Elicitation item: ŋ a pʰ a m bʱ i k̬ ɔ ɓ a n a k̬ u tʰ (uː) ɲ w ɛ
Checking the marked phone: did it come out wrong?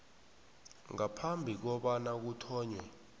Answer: yes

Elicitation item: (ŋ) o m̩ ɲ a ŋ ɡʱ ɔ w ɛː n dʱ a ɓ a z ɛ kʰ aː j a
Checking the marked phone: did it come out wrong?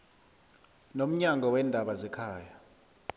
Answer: yes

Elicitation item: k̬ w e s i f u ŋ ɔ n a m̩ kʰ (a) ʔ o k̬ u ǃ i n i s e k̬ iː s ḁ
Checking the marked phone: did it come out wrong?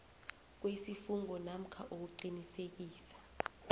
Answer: no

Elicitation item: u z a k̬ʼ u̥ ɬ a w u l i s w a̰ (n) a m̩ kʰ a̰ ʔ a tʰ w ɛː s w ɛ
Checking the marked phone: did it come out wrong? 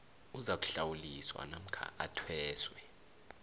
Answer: no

